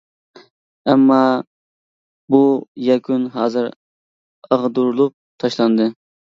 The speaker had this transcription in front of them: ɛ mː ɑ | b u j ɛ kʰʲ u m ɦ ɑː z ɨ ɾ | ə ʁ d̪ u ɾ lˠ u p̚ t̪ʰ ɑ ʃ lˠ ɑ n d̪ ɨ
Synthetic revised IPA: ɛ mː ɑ | b u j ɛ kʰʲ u n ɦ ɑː z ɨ ɾ | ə ʁ d̪ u ɾ lˠ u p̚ t̪ʰ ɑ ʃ lˠ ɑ n d̪ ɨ